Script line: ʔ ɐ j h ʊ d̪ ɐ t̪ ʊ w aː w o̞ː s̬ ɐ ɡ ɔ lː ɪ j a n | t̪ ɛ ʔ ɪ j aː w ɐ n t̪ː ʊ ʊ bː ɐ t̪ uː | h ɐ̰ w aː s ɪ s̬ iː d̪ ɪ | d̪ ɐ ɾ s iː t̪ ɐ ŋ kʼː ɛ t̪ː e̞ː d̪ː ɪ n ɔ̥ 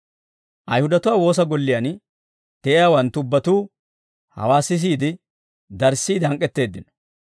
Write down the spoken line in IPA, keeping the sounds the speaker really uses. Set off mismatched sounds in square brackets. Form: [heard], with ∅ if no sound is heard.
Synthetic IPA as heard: ʔ ɐ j h ʊ d̪ ɐ t̪ ʊ w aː w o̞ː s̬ ɐ ɡ ɔ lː ɪ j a n | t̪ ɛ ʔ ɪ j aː w ɐ n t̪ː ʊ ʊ bː ɐ t̪ uː | h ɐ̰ w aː s ɪ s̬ iː d̪ ɪ | d̪ ɐ ɾ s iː [d̪] ɐ ŋ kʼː ɛ t̪ː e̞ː d̪ː ɪ n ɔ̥